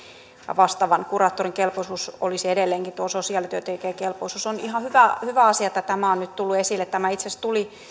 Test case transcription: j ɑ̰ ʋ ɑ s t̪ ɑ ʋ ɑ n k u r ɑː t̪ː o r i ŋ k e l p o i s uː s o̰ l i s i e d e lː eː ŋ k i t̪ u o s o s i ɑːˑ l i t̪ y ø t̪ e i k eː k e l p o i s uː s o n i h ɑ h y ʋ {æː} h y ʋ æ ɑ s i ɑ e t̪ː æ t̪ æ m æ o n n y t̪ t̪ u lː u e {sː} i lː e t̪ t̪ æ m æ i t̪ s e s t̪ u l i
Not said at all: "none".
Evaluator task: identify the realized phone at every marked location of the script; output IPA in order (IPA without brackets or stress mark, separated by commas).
æ, s